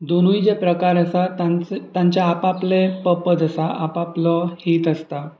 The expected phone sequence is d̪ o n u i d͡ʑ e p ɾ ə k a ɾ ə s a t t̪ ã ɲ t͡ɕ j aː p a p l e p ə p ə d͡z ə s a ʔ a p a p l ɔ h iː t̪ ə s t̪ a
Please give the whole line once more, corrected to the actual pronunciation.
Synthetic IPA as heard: d̪ o n u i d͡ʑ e p ɾ ə k a ɾ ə s a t t̪ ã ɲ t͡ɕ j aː p a p l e p ə p ə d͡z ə s a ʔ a p a p l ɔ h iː t̪ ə s t̪ a